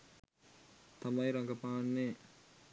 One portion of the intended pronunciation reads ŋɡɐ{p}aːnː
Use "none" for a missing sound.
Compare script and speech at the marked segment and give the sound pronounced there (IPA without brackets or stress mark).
p